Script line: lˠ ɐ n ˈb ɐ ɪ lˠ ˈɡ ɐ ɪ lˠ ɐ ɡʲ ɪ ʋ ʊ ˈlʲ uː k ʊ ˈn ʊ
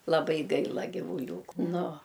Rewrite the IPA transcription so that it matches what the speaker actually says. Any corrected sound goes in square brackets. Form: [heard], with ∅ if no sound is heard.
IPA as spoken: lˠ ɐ [∅] ˈb ɐ ɪ [∅] ˈɡ ɐ ɪ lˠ ɐ ɡʲ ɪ ʋ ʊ ˈlʲ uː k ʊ ˈn ʊ

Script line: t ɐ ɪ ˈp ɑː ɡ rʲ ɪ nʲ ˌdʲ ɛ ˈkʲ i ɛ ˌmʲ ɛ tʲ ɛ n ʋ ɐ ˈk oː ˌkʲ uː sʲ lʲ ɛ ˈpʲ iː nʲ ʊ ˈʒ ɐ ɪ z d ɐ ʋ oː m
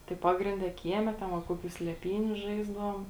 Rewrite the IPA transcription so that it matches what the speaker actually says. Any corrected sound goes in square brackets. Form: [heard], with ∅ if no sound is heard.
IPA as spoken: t ɐ ɪ ˈp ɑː ɡ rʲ ɪ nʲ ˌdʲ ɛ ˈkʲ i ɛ ˌmʲ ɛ tʲ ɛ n ʋ ɐ ˈk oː ˌkʲ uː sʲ lʲ ɛ ˈpʲ iː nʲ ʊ ˈʒ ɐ ɪ z d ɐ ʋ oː m

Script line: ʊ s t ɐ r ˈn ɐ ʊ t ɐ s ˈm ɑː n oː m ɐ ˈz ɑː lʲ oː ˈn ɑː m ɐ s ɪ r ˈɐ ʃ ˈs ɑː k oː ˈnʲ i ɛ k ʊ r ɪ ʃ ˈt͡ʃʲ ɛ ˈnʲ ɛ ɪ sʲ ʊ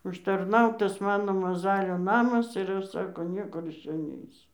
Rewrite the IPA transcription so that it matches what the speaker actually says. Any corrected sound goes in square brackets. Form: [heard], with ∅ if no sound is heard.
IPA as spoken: ʊ [ʃ] t ɐ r ˈn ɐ ʊ t ɐ s ˈm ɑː n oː m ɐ ˈz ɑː lʲ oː ˈn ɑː m ɐ s ɪ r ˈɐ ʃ ˈs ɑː k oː ˈnʲ i ɛ k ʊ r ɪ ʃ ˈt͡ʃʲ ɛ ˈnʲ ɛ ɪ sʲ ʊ

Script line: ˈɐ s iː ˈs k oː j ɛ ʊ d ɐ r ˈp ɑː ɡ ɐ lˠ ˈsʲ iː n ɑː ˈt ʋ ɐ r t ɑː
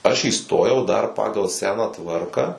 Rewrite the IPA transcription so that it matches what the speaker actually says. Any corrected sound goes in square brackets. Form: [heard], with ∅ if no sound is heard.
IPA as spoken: ˈɐ [ʃ] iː ˈs [t] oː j ɛ ʊ d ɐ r ˈp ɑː ɡ ɐ lˠ ˈsʲ [æː] n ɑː ˈt ʋ ɐ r [k] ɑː

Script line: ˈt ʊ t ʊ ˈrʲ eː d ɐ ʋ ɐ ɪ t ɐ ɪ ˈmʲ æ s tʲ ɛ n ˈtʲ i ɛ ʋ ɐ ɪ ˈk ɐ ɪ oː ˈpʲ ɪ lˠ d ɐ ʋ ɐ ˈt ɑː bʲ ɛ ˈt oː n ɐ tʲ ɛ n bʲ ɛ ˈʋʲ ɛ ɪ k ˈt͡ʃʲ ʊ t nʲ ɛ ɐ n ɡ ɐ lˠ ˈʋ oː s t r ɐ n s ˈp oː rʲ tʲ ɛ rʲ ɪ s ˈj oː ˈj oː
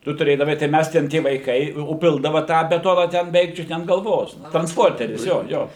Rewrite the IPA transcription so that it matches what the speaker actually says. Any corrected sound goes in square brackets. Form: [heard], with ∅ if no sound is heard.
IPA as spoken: ˈt ʊ t ʊ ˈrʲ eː d ɐ ʋ ɐ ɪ t ɐ ɪ ˈmʲ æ s tʲ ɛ n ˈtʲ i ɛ ʋ ɐ ɪ ˈk ɐ ɪ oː ˈpʲ ɪ lˠ d ɐ ʋ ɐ ˈt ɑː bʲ ɛ ˈt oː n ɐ tʲ ɛ n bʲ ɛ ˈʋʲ ɛ ɪ k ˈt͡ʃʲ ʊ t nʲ ɛ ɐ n ɡ ɐ lˠ ˈʋ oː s t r ɐ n s ˈp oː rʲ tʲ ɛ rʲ ɪ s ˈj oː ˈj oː

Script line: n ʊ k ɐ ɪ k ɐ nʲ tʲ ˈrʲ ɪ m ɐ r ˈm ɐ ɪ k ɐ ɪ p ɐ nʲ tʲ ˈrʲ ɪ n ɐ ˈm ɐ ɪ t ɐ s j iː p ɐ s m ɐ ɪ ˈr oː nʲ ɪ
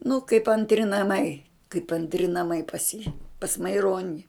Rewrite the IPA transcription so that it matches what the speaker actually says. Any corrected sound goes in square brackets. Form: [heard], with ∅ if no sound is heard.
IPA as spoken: n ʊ k ɐ ɪ [p] ɐ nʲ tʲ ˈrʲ ɪ [n] ɐ [∅] ˈm ɐ ɪ k ɐ ɪ p ɐ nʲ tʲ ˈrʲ ɪ n ɐ ˈm ɐ ɪ [p] ɐ s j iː p ɐ s m ɐ ɪ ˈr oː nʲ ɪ

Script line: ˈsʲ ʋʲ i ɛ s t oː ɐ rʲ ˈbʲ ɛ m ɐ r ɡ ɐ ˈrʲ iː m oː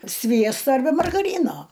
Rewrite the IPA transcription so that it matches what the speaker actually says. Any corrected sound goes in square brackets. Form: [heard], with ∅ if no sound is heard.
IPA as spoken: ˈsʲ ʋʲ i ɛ s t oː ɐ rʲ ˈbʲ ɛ m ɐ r ɡ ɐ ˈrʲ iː [n] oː

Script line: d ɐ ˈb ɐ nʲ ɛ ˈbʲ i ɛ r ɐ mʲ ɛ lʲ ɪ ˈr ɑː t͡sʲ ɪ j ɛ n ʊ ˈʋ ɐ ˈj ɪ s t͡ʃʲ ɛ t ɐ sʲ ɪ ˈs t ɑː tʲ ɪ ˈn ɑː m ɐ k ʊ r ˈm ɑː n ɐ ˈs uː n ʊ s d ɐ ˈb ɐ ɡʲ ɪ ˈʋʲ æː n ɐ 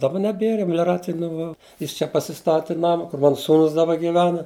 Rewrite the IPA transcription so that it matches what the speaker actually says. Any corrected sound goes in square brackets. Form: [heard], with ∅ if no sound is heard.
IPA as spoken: d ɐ ˈb ɐ nʲ ɛ ˈbʲ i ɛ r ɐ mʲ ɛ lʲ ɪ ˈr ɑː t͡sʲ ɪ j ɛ n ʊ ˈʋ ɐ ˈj ɪ s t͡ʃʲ ɛ [p] ɐ sʲ ɪ ˈs t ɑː tʲ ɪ ˈn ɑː m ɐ k ʊ r ˈm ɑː n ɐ ˈs uː n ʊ s d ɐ ˈb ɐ ɡʲ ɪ ˈʋʲ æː n ɐ

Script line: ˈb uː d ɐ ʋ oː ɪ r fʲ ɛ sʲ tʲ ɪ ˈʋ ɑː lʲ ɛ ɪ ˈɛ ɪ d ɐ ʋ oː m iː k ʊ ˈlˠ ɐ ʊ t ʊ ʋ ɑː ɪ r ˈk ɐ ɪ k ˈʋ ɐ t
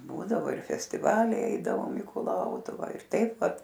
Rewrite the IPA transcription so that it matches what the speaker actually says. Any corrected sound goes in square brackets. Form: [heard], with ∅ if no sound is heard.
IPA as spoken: ˈb uː d ɐ ʋ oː ɪ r fʲ ɛ sʲ tʲ ɪ ˈʋ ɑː lʲ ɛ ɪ ˈɛ ɪ d ɐ ʋ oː m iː k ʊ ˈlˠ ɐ ʊ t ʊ ʋ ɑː ɪ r [ˈt] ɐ ɪ [p] ˈʋ ɐ t

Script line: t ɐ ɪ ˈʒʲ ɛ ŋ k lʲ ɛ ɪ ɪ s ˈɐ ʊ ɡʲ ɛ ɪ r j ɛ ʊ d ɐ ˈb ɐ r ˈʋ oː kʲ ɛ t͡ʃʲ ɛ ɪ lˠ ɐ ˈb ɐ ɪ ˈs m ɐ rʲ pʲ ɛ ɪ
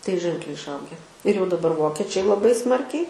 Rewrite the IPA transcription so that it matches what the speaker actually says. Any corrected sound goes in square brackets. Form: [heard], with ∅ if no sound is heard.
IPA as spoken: t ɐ ɪ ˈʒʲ ɛ ŋ k lʲ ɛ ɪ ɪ [ʃ] ˈɐ ʊ ɡʲ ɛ ɪ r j ɛ ʊ d ɐ ˈb ɐ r ˈʋ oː kʲ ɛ t͡ʃʲ ɛ ɪ lˠ ɐ ˈb ɐ ɪ ˈs m ɐ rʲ [kʲ] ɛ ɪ

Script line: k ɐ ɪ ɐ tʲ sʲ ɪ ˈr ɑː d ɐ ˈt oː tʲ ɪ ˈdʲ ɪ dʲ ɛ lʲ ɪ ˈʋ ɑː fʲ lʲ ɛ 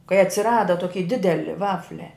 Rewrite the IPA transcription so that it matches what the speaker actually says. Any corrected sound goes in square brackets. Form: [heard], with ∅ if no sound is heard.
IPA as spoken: k ɐ ɪ ɐ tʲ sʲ ɪ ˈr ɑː d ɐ ˈt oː [kʲ] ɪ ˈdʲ ɪ dʲ ɛ lʲ ɪ ˈʋ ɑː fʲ lʲ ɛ

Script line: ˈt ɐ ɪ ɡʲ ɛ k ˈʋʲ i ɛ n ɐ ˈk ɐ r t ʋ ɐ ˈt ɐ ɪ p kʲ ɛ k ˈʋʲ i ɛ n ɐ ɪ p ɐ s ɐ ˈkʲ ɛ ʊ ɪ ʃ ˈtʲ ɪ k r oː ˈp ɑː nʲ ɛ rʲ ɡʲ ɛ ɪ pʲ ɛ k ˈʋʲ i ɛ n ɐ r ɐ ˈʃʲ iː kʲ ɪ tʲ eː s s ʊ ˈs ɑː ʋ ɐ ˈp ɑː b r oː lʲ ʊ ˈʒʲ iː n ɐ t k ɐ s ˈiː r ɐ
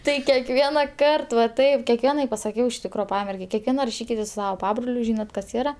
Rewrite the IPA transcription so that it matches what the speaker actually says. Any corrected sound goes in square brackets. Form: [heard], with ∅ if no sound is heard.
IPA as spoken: ˈt ɐ ɪ [kʲ] ɛ k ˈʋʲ i ɛ n ɐ ˈk ɐ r t ʋ ɐ ˈt ɐ ɪ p kʲ ɛ k ˈʋʲ i ɛ n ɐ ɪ p ɐ s ɐ ˈkʲ ɛ ʊ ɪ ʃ ˈtʲ ɪ k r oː ˈp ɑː [mʲ] ɛ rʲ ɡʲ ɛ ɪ [kʲ] ɛ k ˈʋʲ i ɛ n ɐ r ɐ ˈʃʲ iː kʲ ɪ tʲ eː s s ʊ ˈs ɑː ʋ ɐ ˈp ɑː b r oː lʲ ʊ ˈʒʲ iː n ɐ t k ɐ s ˈiː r ɐ

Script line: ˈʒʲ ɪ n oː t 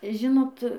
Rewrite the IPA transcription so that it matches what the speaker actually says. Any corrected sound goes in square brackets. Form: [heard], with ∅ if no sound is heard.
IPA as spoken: ˈʒʲ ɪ n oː t

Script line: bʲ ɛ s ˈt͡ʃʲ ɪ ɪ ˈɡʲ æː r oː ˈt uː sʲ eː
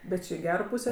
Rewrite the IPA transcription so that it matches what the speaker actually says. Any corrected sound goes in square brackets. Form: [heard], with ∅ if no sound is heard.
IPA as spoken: bʲ ɛ [t] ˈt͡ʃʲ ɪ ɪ ˈɡʲ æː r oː [ˈp] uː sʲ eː

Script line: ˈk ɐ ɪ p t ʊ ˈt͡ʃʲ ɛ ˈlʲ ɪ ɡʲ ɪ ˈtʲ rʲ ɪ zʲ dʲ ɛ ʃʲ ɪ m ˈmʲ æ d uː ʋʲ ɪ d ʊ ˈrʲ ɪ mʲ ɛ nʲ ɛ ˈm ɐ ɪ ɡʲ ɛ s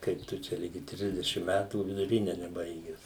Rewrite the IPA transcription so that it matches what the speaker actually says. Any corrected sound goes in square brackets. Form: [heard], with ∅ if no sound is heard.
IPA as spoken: ˈk ɐ ɪ p t ʊ ˈt͡ʃʲ ɛ ˈlʲ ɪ ɡʲ ɪ ˈtʲ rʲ ɪ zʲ dʲ ɛ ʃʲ ɪ m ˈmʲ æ [t] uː ʋʲ ɪ d ʊ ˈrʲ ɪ [nʲ] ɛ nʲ ɛ [ˈb] ɐ ɪ ɡʲ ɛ s

